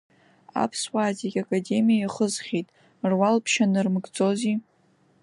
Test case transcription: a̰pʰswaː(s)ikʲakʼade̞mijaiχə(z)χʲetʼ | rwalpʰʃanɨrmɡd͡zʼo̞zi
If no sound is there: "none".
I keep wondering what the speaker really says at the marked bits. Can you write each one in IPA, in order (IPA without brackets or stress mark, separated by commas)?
z, z